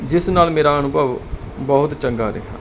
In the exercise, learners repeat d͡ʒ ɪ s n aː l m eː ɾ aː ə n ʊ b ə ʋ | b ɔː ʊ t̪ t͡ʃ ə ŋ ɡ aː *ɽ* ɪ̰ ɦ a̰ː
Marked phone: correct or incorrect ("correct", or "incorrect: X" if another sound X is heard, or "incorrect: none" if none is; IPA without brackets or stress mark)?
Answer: incorrect: ɾ